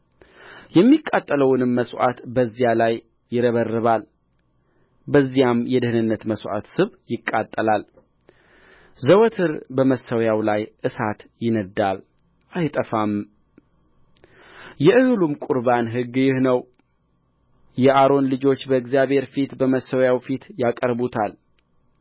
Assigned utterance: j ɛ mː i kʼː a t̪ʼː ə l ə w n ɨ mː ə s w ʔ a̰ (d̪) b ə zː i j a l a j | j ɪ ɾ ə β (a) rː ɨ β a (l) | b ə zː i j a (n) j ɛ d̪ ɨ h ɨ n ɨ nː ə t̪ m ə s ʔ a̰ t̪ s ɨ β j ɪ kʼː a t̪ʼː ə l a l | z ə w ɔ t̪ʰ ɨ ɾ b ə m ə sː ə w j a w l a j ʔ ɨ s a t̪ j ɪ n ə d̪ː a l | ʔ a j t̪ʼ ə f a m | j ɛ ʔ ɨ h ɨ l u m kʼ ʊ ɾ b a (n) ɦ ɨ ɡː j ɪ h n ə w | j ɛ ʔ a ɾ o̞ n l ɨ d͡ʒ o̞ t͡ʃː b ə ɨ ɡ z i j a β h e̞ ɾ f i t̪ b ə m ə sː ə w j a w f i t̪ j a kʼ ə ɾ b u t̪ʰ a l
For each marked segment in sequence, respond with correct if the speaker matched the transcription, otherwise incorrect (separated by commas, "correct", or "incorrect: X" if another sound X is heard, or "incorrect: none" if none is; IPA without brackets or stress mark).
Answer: incorrect: t̪, incorrect: ə, correct, incorrect: m, correct